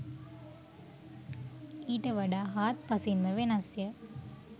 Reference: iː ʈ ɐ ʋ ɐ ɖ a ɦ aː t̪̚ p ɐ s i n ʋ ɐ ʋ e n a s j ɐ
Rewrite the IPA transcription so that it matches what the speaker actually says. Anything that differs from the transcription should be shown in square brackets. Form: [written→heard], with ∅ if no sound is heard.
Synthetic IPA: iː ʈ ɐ ʋ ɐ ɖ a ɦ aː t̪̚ p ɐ s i n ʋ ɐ ʋ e n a s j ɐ